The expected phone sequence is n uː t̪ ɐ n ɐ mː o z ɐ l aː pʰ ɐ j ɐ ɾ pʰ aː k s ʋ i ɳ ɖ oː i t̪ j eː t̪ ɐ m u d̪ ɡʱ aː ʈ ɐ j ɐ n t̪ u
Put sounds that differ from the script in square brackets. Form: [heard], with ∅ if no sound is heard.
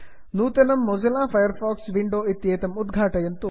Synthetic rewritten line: n uː t̪ ɐ n ɐ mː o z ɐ l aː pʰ ɐ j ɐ ɾ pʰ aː k s ʋ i ɳ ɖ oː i t̪ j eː t̪ ɐ m u d̪ ɡʱ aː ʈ ɐ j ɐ n t̪ u